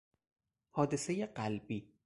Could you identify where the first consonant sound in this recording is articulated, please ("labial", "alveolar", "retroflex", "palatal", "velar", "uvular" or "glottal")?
glottal